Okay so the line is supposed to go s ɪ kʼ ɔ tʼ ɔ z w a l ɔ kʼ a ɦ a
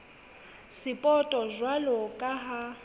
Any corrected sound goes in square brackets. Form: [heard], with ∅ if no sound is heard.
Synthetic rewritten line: s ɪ [pʼ] ɔ tʼ ɔ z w a l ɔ kʼ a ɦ a